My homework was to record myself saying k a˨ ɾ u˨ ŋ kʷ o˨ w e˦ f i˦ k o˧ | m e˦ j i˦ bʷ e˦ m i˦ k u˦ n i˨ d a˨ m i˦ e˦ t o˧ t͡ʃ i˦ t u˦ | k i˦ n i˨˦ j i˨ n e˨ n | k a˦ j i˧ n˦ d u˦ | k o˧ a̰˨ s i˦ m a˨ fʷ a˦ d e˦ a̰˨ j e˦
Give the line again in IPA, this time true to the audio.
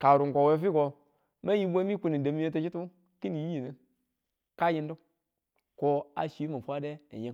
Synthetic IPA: k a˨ ɾ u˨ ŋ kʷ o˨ w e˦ f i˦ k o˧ | m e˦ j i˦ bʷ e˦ m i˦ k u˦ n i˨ d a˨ m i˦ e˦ t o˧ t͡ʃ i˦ t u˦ | k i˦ n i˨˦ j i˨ n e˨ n | k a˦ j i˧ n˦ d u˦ | k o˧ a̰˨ ʃ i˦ m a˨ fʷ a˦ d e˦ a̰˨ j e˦